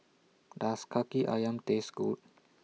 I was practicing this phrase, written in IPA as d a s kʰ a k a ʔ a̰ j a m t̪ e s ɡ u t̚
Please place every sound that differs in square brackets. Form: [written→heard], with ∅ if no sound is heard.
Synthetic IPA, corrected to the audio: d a s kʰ a k [a→i] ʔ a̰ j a m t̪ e s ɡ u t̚